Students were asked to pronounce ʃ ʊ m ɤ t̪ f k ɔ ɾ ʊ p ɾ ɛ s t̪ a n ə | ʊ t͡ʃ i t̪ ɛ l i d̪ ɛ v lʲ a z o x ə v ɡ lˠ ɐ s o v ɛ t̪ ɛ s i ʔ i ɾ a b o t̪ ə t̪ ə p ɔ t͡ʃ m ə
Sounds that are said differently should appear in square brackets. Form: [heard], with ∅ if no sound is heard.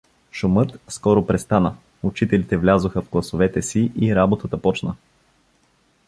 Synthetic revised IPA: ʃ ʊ m ɤ t̪ [s] k ɔ ɾ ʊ p ɾ ɛ s t̪ a n ə | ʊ t͡ʃ i t̪ ɛ l i [t̪] ɛ v lʲ a z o x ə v ɡ lˠ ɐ s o v ɛ t̪ ɛ s i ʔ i ɾ a b o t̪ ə t̪ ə p ɔ t͡ʃ [n] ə